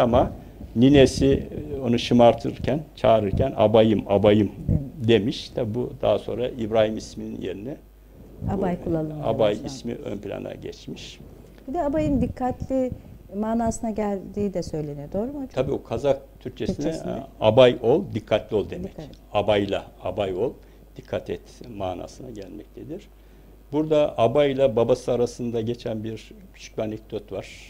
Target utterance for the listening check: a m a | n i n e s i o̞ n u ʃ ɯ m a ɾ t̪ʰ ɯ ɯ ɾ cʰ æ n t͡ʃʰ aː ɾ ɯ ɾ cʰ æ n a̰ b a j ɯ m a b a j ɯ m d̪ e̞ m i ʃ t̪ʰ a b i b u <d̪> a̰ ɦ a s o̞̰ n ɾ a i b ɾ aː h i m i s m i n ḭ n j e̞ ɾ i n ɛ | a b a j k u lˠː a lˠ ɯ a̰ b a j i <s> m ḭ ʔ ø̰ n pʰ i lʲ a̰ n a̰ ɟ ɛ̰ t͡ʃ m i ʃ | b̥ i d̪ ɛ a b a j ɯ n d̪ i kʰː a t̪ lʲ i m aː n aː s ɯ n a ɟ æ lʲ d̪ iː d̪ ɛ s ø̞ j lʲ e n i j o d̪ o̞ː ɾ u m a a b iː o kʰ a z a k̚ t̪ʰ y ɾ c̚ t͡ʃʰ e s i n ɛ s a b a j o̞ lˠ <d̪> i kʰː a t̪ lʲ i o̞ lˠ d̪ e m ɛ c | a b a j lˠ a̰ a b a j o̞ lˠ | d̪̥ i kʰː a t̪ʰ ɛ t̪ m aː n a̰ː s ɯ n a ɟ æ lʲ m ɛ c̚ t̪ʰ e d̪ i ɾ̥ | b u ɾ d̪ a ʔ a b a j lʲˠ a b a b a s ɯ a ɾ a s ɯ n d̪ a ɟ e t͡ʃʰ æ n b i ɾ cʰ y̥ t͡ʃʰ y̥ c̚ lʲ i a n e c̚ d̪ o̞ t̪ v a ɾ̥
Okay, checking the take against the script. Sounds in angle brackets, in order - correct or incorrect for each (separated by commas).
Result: correct, correct, correct